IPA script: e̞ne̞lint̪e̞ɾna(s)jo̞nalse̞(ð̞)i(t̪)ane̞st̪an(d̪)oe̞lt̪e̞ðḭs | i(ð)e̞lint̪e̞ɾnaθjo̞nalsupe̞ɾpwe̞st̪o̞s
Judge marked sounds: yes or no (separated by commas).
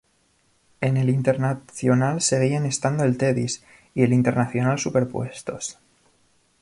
no, no, no, yes, no